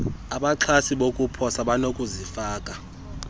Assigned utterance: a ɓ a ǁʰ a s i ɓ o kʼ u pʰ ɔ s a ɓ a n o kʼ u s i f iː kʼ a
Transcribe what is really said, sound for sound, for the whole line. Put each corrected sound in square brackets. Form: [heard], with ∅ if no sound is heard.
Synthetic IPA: a ɓ a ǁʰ a s i ɓ o kʼ u pʰ ɔ s a ɓ a n o kʼ u [z] i f [aː] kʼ a

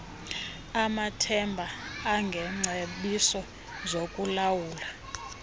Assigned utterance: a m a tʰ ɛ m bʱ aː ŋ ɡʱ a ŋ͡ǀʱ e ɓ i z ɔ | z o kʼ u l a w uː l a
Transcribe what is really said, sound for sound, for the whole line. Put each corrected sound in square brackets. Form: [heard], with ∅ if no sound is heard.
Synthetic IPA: a m a tʰ ɛ m bʱ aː ŋ ɡʱ [ɛ] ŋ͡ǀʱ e ɓ i [s] ɔ | z o kʼ u l a w uː l a

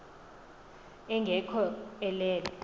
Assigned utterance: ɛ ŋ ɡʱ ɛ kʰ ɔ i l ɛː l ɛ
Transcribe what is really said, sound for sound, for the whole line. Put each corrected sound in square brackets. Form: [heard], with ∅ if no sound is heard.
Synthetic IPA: ɛ ŋ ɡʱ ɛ kʰ ɔ [ɛ] l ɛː l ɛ

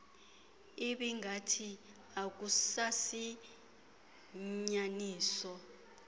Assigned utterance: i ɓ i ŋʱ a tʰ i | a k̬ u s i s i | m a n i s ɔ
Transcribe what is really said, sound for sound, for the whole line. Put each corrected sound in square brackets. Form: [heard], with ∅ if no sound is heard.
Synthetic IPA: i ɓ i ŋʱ a tʰ i | a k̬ u s [a] s i | [ɲ] a n [iː] s ɔ

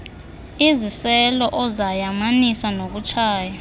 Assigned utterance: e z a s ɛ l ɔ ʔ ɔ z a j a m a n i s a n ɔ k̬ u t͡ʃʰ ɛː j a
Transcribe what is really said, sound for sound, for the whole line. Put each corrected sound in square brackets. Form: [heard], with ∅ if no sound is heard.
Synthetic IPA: [i] z [i] s ɛ l ɔ ʔ ɔ z a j a m a n i s a n [o] k̬ u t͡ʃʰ [aː] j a

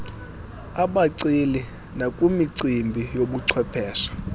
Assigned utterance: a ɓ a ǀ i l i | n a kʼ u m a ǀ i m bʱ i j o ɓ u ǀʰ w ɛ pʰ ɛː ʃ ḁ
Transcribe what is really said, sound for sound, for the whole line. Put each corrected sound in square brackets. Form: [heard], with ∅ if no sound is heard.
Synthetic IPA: a ɓ a ǀ i l i | n a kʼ u m [i] ǀ i m bʱ i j o ɓ u ǀʰ w ɛ pʰ ɛː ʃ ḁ

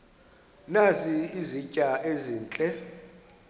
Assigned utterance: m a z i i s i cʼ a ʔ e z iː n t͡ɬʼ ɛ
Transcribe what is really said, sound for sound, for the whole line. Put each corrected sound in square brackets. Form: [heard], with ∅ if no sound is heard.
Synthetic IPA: [n] a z i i [z] i cʼ a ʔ e z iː n t͡ɬʼ ɛ

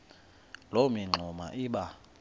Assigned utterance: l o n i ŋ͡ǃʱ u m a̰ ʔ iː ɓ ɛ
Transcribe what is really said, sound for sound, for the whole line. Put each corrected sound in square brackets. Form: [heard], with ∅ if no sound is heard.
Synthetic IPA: l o [m] i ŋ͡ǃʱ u m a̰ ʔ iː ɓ [a]

